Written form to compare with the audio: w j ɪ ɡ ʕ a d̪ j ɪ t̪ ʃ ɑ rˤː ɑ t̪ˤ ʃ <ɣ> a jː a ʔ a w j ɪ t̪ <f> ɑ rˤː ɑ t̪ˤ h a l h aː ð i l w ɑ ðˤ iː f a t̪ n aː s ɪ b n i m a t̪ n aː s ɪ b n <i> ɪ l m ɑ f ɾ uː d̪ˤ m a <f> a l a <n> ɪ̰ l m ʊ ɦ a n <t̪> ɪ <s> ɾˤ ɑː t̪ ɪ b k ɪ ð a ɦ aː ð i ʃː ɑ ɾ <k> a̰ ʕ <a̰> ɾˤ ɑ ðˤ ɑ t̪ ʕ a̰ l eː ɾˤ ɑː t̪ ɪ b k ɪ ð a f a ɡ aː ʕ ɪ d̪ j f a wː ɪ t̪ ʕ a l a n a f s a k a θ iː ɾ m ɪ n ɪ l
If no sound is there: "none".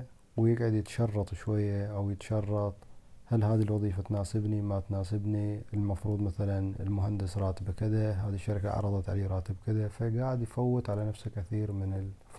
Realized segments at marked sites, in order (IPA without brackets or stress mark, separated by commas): w, ʃ, i, θ, n, d̪, s, k, ɑ̰